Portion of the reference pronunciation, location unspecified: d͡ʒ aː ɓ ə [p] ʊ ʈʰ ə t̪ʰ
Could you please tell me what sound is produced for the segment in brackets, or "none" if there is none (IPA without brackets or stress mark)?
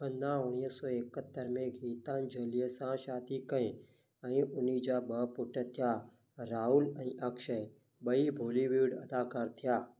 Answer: p